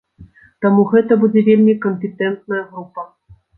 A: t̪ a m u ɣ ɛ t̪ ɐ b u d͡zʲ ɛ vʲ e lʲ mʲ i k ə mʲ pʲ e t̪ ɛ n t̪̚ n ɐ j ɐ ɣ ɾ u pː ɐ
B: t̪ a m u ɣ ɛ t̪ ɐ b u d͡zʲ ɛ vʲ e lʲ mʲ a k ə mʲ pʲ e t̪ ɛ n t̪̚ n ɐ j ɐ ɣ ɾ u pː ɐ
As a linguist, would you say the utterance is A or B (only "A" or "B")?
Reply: A